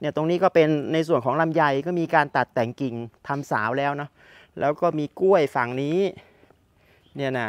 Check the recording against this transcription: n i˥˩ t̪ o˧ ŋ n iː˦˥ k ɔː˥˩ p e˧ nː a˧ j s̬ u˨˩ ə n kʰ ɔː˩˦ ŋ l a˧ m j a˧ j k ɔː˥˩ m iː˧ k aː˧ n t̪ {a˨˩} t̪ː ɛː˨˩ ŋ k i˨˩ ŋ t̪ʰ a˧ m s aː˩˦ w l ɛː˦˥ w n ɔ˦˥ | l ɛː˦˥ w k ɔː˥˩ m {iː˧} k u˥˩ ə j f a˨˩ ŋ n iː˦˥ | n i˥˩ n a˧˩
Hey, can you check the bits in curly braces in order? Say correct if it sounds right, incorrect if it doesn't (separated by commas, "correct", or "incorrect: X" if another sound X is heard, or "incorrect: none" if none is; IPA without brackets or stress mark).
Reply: correct, correct